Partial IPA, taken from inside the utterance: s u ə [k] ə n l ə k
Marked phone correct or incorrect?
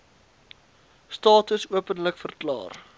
incorrect: p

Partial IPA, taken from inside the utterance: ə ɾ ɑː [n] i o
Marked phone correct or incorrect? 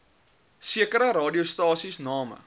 incorrect: d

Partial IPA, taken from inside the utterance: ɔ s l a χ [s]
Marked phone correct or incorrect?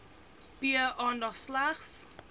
correct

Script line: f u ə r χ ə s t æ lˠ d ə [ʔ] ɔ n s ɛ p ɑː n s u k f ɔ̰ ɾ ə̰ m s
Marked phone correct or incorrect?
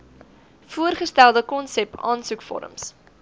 incorrect: k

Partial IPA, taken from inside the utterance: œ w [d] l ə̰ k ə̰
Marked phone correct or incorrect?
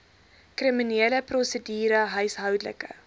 correct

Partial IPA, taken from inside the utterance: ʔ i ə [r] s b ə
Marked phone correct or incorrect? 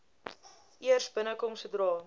correct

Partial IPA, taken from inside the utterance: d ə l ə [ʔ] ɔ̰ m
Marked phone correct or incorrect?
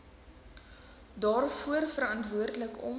incorrect: k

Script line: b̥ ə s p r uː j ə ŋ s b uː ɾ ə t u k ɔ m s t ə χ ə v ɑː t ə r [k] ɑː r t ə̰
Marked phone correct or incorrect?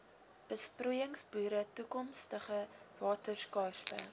correct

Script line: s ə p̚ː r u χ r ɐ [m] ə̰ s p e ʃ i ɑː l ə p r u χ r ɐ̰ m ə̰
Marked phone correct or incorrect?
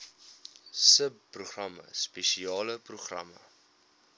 correct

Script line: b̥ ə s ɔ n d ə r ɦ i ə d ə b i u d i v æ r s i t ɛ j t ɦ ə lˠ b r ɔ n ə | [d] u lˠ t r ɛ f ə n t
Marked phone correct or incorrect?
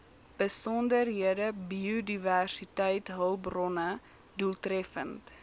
correct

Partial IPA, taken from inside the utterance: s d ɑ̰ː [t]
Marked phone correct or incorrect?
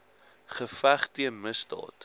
correct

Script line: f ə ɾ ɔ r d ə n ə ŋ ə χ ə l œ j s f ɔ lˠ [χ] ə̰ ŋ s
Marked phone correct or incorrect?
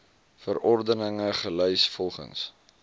correct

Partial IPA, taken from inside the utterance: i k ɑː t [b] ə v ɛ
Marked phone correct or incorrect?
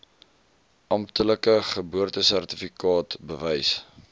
correct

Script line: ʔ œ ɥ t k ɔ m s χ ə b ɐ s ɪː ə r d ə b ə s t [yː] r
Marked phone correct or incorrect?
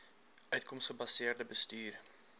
correct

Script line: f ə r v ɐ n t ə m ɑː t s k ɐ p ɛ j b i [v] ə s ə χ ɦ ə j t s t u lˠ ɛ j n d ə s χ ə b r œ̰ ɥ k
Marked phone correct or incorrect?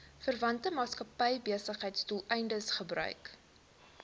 incorrect: none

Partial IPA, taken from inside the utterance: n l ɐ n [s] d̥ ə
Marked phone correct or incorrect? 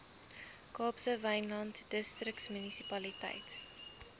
incorrect: t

